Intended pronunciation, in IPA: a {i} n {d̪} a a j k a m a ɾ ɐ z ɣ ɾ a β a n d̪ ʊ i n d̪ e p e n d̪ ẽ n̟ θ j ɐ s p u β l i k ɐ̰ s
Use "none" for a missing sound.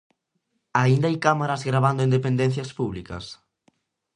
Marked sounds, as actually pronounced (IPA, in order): i, d̪

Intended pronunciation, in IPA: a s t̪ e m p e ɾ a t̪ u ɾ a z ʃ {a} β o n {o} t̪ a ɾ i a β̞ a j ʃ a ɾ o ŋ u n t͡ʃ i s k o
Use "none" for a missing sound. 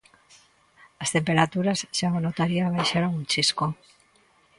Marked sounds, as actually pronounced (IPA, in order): a, o

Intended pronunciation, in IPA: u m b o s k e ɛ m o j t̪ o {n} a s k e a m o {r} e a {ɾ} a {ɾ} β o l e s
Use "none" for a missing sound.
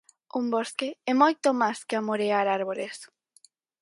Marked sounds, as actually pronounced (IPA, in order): m, ɾ, ɾ, ɾ

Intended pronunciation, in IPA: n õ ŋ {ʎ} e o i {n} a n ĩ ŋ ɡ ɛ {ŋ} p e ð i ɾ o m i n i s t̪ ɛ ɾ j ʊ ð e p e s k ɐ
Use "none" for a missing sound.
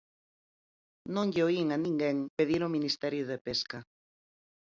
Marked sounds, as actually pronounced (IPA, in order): ʎ, ŋ, ŋ

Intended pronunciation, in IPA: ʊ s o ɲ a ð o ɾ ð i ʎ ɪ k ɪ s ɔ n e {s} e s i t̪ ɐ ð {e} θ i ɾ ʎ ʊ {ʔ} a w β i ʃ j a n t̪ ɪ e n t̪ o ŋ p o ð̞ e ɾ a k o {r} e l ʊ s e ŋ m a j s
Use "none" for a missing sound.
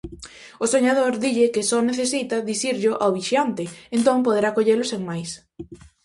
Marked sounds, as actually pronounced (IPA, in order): θ, i, ʔ, ʎ

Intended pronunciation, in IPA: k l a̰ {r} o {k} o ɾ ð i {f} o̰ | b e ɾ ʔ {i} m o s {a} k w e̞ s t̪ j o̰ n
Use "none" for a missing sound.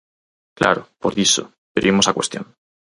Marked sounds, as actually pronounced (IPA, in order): ɾ, p, s, i, a

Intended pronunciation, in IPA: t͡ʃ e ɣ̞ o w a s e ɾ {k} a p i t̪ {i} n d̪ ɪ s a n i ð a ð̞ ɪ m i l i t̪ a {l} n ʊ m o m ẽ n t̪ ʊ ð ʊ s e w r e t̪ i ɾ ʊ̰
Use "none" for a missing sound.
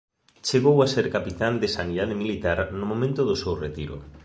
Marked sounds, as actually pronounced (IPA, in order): k, a, ɾ

